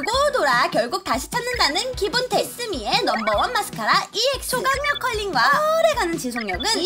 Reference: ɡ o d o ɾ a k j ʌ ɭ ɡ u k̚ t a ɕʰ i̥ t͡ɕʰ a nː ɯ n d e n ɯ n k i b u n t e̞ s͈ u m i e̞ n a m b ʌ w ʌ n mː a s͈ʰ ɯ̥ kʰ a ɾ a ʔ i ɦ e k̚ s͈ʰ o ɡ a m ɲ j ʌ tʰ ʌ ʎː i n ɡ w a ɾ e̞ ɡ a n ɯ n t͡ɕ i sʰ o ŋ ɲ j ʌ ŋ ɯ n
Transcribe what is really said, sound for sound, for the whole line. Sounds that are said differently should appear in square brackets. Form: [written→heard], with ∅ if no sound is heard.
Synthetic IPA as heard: ɡ o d o ɾ a k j ʌ ɭ ɡ u k̚ t a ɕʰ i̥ t͡ɕʰ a nː ɯ n d [e→a] n ɯ n k i b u n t e̞ s͈ [u→ɯ] m i e̞ n [a→ʌ] m b ʌ w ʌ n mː a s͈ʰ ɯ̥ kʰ a ɾ a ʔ i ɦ e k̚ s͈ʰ o ɡ a [m→ŋ] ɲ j ʌ [tʰ→kʰ] ʌ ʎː i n ɡ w a ɾ e̞ ɡ a n ɯ n t͡ɕ i sʰ o ŋ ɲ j ʌ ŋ ɯ n